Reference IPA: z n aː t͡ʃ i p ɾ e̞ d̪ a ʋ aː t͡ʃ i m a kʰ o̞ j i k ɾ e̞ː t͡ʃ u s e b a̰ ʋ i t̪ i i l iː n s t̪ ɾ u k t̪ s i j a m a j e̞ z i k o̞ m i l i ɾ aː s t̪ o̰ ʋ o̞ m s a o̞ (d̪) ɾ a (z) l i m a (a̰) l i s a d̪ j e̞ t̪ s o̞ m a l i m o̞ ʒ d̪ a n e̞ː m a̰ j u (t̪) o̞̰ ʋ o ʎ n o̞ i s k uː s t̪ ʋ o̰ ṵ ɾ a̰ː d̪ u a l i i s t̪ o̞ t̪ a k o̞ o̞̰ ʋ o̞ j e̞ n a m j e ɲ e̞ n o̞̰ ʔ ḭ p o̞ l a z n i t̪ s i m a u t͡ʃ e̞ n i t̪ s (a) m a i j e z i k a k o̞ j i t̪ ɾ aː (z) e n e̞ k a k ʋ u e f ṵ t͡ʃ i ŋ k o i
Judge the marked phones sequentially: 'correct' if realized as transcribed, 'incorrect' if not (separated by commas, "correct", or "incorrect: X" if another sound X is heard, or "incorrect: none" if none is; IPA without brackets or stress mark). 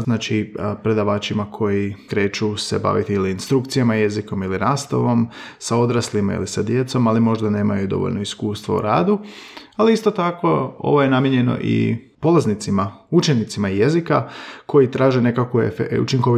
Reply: correct, incorrect: s, incorrect: ḭ, incorrect: d̪, incorrect: i, incorrect: ʒ